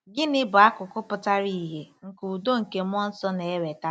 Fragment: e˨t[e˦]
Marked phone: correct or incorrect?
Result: incorrect